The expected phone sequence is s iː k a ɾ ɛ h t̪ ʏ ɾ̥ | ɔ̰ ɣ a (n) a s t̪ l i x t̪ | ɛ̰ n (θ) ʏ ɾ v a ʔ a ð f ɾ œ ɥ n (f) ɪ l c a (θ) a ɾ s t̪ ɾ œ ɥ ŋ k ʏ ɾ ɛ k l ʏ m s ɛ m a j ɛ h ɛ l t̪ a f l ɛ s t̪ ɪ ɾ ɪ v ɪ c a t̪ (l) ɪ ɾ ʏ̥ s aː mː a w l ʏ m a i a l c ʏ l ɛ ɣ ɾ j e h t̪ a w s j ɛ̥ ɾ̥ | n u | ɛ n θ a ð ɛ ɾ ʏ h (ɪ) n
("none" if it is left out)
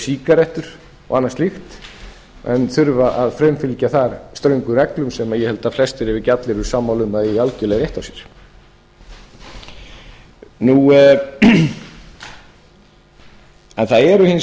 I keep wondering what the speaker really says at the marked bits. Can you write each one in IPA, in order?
nː, θ, f, θ, l, ɪ

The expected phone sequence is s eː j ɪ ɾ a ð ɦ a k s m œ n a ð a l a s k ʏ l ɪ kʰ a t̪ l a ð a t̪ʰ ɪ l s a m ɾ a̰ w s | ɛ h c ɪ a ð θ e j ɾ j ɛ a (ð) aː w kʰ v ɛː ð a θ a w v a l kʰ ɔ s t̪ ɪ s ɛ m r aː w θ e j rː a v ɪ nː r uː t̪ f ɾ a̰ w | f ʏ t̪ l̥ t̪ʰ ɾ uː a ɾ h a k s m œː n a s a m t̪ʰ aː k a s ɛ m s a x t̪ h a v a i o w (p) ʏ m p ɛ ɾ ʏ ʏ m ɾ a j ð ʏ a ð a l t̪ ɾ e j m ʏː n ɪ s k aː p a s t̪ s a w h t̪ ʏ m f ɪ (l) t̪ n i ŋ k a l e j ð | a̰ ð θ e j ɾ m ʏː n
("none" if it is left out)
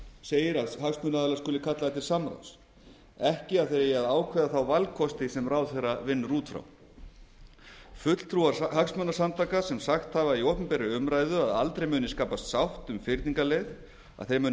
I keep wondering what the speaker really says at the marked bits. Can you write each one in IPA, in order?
ð, p, ɾ

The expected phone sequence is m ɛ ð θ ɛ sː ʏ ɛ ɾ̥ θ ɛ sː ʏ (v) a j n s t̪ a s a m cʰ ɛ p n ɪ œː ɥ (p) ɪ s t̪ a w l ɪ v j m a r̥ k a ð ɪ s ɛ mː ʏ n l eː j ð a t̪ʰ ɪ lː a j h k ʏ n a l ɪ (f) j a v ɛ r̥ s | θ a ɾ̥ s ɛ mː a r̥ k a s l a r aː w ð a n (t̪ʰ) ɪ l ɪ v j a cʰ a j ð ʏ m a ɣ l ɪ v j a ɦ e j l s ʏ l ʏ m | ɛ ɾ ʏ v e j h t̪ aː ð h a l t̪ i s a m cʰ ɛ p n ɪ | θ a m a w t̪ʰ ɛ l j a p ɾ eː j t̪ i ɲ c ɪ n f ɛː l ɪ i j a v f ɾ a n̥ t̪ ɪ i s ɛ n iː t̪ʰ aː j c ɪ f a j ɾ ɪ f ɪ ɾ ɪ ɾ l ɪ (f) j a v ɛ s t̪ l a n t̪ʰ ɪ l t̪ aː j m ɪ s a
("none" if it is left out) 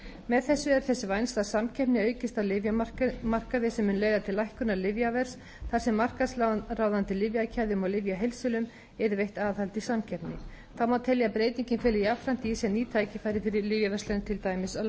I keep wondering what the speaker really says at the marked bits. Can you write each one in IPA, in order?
v, c, v, t̪, v

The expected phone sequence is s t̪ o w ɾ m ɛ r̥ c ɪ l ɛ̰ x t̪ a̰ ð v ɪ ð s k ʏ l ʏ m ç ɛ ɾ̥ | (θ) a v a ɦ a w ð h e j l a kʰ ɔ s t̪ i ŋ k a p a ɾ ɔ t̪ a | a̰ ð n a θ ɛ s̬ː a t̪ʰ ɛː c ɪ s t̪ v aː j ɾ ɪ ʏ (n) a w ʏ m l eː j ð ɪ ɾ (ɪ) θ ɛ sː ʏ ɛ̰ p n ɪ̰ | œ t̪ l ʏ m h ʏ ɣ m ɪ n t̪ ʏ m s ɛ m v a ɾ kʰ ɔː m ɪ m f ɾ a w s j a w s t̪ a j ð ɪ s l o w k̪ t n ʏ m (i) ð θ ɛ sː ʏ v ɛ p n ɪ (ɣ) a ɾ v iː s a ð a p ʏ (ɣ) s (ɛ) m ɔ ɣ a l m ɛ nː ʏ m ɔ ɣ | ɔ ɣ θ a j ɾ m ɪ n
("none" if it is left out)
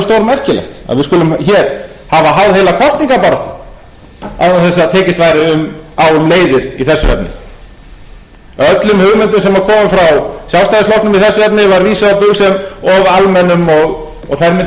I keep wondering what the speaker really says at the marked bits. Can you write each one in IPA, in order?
h, m, i, i, v, ɣ, ɛ

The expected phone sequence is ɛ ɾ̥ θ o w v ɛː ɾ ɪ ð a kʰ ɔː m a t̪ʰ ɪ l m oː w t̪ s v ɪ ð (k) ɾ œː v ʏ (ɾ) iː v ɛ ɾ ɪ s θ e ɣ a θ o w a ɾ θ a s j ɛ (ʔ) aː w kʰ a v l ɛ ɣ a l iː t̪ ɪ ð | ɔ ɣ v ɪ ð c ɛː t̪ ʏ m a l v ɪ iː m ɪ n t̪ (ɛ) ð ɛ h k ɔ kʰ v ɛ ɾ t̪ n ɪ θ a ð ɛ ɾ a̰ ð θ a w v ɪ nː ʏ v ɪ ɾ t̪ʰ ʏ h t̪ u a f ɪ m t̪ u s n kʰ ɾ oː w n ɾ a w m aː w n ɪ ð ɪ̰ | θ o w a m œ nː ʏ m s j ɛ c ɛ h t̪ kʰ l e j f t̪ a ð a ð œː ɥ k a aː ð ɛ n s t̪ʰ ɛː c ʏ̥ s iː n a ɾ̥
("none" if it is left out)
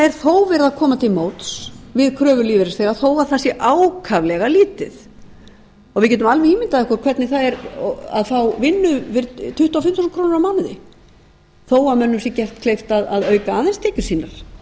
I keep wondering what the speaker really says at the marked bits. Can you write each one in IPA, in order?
kʰ, l, ʔ, a

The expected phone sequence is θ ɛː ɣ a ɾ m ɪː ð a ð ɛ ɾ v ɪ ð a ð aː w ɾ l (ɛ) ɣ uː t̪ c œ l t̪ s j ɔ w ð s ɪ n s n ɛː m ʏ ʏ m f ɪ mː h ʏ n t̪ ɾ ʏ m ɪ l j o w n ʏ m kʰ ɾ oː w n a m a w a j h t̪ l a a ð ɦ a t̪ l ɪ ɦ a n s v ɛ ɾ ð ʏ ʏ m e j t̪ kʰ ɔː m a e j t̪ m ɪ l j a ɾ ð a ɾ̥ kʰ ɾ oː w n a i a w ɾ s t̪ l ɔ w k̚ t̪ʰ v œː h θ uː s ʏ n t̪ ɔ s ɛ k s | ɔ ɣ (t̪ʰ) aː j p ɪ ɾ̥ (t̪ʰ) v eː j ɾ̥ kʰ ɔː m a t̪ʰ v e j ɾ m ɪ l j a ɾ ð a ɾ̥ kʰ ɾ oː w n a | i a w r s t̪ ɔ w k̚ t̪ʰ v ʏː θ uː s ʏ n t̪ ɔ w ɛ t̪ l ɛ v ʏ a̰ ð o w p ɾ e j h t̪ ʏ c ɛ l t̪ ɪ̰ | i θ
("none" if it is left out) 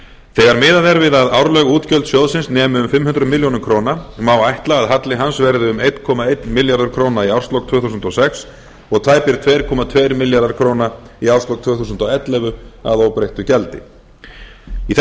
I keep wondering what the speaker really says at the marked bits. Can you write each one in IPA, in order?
œ, t̪ʰ, t̪ʰ

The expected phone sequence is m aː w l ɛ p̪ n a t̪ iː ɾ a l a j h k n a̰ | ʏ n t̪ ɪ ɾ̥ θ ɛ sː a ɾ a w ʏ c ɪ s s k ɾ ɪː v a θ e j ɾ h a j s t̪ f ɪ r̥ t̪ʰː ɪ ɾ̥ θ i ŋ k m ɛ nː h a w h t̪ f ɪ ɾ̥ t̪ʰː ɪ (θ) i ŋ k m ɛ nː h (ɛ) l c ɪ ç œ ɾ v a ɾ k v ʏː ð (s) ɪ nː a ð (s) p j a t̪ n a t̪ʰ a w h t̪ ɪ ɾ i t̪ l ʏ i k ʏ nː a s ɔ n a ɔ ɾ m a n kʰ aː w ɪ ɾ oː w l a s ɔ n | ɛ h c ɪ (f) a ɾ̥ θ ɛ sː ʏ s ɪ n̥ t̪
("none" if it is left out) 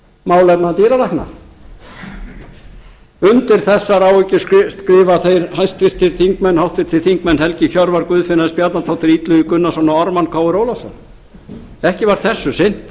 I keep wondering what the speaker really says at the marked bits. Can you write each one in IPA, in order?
θ, ɛ, f, s, v

